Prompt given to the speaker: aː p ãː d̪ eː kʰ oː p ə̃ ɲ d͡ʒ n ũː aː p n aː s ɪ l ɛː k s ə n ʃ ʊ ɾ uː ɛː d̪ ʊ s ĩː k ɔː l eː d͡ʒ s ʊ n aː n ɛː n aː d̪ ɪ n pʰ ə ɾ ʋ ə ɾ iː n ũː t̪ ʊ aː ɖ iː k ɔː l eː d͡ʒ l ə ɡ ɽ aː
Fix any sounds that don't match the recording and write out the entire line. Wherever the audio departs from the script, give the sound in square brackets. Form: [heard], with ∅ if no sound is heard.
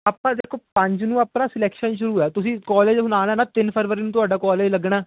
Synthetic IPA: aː p ãː d̪ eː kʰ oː p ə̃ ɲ d͡ʒ n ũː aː p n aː s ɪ l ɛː k [ʃ] ə n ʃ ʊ ɾ uː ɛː [t̪] ʊ s ĩː k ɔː l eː d͡ʒ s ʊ n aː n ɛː n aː [t̪] ɪ n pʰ ə ɾ ʋ ə ɾ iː n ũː t̪ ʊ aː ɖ [aː] k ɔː l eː d͡ʒ l ə ɡ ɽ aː